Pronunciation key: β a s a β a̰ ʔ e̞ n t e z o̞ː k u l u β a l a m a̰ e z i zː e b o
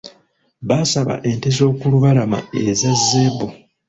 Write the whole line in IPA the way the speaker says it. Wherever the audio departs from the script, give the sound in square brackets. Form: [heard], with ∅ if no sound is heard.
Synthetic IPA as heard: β a s a β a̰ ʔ e̞ n t e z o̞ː k u l u β a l a m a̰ e z [a] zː e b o